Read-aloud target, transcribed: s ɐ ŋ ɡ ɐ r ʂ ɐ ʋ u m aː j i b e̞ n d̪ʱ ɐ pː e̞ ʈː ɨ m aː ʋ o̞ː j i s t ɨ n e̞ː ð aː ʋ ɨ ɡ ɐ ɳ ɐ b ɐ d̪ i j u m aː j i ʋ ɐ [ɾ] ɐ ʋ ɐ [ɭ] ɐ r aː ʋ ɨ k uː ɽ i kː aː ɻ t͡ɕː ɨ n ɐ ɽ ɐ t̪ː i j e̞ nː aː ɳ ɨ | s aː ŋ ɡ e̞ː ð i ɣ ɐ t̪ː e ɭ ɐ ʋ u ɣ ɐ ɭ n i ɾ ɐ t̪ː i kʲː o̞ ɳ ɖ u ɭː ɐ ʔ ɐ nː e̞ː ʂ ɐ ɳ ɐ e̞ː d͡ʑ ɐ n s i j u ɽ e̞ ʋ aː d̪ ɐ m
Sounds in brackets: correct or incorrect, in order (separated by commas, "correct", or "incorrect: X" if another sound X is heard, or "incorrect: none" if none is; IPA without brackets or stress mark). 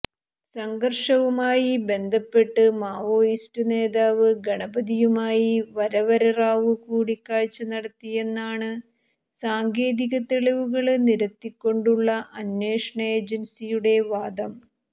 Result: correct, incorrect: ɾ